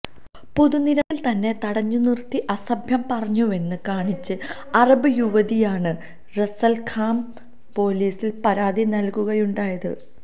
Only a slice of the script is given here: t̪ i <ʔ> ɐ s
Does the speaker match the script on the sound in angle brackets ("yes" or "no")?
yes